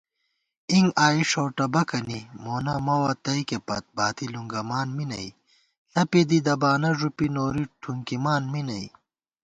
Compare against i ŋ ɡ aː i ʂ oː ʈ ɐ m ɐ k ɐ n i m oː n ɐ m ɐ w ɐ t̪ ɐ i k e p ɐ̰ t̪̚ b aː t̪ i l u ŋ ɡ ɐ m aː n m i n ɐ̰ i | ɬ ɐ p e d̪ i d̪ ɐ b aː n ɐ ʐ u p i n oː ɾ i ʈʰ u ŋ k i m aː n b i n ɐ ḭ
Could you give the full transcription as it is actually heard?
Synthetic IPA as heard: i ŋ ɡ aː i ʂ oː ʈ ɐ b ɐ k ɐ n i m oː n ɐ m ɐ w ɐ t̪ ɐ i k e p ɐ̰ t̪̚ b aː t̪ i l u ŋ ɡ ɐ m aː n m i n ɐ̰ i | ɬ ɐ p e d̪ i d̪ ɐ b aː n ɐ ʐ u p i n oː ɾ i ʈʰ u ŋ k i m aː n m i n ɐ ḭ